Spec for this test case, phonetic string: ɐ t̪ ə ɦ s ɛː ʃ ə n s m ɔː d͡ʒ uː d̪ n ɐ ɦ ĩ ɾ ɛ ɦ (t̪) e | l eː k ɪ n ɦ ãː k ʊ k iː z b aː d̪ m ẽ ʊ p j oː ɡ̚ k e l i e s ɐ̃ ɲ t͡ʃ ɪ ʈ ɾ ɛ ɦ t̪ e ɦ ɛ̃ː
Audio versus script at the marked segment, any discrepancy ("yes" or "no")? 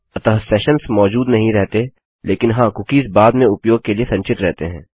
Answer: no